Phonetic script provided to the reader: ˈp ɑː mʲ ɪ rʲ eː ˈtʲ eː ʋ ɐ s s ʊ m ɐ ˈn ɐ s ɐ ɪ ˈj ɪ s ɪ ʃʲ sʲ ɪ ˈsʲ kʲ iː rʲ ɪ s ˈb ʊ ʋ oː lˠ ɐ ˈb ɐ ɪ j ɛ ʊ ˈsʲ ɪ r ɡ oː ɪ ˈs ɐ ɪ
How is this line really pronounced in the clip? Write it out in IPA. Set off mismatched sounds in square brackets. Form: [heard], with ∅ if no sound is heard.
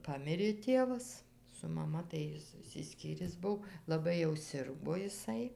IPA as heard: ˈp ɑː mʲ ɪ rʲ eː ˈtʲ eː ʋ ɐ s s ʊ m ɐ [ˈm] ɐ [t] ɐ ɪ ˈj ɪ s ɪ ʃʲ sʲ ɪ ˈsʲ kʲ iː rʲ ɪ s ˈb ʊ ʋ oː lˠ ɐ ˈb ɐ ɪ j ɛ ʊ ˈsʲ ɪ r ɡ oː ɪ ˈs ɐ ɪ